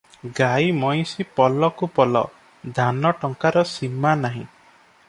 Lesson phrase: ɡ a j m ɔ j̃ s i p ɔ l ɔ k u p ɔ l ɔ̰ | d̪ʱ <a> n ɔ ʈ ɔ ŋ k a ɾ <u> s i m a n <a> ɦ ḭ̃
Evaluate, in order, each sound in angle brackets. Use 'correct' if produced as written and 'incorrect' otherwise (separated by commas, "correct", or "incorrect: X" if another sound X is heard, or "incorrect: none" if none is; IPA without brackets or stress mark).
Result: correct, incorrect: ɔ, correct